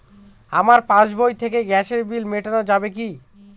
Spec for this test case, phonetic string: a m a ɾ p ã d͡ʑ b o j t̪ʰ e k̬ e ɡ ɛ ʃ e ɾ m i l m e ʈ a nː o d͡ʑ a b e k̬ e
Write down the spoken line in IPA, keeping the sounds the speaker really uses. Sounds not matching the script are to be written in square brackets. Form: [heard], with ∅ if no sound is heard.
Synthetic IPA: a m a ɾ p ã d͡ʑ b o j t̪ʰ e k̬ e ɡ ɛ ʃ e ɾ [b] i l m e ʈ a [n] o d͡ʑ a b e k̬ [i]